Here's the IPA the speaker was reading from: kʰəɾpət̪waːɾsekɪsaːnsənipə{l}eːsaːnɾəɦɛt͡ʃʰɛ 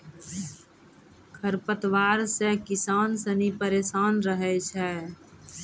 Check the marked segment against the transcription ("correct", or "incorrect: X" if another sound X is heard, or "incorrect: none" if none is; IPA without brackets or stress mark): incorrect: ɾ